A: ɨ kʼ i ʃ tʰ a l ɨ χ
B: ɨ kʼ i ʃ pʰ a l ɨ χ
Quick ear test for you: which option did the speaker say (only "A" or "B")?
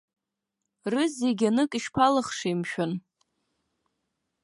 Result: B